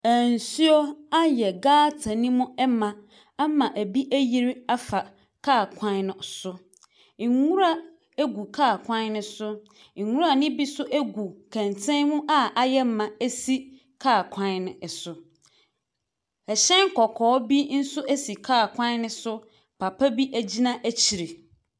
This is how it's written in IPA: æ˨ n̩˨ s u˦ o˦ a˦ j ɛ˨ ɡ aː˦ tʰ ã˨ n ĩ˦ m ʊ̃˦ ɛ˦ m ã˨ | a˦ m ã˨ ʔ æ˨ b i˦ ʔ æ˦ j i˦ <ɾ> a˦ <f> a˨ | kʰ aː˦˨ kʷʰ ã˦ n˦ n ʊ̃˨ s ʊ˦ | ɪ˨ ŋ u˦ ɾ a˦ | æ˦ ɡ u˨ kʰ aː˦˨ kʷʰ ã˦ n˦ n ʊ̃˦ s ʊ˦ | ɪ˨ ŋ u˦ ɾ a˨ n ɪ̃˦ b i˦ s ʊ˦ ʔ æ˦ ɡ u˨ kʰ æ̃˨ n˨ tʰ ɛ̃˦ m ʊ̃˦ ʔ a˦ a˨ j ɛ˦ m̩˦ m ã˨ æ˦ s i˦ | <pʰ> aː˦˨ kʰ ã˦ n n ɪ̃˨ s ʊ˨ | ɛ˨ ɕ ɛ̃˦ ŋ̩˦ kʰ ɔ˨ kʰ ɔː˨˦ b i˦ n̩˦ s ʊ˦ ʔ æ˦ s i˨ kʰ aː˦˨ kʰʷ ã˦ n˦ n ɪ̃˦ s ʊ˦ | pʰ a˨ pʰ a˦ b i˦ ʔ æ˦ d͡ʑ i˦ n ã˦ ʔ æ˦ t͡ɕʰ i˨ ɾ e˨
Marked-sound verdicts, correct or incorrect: correct, correct, incorrect: kʰ

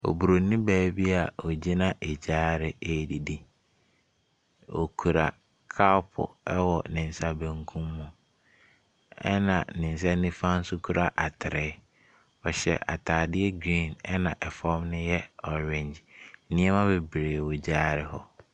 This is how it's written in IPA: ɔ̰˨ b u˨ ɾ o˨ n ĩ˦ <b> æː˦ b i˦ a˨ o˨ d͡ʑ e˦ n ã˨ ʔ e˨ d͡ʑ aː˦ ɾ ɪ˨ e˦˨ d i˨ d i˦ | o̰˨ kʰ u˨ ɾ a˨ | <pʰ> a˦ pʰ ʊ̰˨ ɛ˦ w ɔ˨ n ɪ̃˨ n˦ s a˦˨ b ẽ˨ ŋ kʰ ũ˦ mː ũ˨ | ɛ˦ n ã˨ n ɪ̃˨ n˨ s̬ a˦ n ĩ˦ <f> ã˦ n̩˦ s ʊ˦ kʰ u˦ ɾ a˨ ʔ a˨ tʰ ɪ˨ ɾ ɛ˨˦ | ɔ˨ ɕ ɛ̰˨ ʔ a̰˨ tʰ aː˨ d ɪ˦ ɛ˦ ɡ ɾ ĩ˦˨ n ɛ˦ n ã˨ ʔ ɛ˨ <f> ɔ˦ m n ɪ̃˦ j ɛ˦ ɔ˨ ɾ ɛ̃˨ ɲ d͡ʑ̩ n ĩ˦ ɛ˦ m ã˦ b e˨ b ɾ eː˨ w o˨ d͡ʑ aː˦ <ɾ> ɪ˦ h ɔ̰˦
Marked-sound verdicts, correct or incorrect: correct, incorrect: kʰ, correct, correct, correct

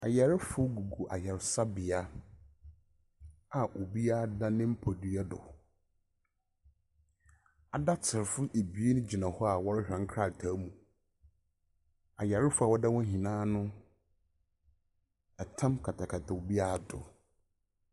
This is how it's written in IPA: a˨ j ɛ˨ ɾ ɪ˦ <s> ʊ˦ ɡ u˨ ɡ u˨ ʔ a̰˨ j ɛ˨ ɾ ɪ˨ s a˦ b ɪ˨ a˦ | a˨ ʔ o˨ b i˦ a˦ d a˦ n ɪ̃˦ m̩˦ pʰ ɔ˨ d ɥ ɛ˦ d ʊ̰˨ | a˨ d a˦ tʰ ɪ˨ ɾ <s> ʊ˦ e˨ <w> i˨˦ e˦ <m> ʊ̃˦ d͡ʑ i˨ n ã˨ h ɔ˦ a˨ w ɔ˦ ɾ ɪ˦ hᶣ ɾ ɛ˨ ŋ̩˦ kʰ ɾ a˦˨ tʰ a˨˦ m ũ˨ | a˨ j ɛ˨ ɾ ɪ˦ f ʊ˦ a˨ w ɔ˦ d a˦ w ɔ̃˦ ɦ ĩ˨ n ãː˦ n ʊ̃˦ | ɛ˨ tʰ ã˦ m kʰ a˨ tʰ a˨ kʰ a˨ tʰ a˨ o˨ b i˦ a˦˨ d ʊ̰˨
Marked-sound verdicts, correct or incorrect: incorrect: f, incorrect: f, incorrect: b, incorrect: n

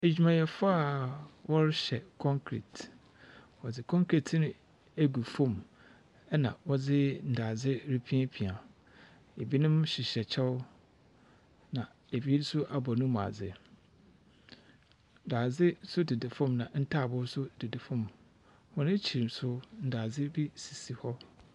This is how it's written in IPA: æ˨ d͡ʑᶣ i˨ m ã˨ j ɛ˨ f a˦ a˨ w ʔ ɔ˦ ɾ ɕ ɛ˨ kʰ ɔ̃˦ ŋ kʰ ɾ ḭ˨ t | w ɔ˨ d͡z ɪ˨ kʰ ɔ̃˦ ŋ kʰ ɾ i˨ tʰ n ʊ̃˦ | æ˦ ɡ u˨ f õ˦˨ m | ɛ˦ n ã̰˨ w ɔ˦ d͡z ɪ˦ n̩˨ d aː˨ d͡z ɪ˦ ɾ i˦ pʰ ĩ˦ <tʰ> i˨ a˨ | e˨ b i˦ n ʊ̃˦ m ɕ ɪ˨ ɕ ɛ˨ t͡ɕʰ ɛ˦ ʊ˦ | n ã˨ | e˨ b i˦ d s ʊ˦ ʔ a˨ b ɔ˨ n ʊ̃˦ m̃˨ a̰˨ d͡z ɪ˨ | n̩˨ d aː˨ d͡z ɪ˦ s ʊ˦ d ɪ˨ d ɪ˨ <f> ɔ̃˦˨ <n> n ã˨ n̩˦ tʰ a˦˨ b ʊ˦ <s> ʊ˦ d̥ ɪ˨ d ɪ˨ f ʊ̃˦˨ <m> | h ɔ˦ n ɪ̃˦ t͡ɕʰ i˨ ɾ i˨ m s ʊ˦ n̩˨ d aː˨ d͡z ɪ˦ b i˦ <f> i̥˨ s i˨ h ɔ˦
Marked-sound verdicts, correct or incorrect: incorrect: pʰ, correct, incorrect: m, correct, correct, incorrect: s

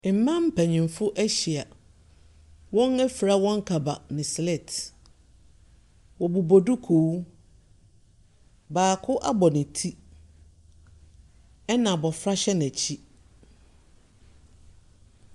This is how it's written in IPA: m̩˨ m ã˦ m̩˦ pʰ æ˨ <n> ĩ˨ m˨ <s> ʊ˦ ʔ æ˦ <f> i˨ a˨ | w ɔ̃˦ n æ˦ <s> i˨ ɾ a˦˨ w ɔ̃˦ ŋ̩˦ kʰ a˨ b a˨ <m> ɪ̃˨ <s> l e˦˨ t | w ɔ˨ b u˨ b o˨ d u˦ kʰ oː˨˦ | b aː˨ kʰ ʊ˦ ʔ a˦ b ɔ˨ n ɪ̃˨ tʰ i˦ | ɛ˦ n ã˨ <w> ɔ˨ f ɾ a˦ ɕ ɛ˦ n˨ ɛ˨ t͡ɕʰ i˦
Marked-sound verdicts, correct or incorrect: incorrect: ɲ, incorrect: f, incorrect: ɕ, incorrect: f, incorrect: n, correct, incorrect: b

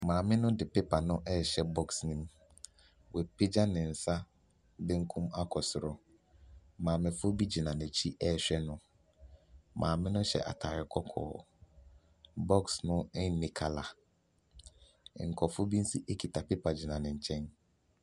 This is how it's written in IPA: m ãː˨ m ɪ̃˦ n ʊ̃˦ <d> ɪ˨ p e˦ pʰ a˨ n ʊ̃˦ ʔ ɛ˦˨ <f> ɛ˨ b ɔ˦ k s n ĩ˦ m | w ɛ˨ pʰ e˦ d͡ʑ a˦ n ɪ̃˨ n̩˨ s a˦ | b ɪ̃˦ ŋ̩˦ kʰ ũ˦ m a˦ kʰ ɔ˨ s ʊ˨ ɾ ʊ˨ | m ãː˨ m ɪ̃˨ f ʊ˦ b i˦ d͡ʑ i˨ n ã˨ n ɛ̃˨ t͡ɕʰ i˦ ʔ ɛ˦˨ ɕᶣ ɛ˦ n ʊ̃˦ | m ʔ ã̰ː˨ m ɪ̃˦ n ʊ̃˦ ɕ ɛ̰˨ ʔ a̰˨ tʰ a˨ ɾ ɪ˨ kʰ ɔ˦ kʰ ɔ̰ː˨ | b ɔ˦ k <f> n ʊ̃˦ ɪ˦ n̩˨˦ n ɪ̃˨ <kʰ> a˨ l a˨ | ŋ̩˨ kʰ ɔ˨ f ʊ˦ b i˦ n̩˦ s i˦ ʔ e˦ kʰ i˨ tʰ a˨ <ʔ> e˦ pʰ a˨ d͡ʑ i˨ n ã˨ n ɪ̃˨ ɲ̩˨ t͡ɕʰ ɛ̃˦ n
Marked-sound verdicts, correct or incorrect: correct, incorrect: ɕ, incorrect: s, correct, incorrect: p

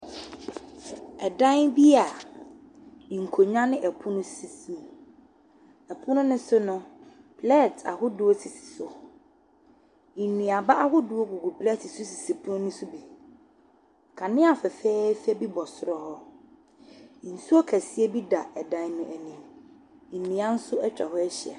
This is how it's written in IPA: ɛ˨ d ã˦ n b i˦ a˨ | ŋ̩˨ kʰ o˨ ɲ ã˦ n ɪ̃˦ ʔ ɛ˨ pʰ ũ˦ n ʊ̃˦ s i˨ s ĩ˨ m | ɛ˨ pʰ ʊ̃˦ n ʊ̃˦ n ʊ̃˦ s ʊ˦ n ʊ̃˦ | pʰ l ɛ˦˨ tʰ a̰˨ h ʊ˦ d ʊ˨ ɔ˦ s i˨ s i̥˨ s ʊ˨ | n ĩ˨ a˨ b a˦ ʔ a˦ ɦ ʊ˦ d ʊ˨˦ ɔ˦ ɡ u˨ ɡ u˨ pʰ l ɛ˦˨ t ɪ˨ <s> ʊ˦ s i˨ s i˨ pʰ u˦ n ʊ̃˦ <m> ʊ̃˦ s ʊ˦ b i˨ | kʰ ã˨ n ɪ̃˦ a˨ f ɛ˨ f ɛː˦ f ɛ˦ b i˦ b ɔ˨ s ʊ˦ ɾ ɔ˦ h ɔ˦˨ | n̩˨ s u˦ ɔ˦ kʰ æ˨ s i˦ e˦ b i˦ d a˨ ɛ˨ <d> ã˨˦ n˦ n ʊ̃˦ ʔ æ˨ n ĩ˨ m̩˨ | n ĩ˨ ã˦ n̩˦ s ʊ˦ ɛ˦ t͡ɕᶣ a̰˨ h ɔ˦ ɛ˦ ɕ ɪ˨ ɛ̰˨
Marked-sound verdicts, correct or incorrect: correct, incorrect: n, correct

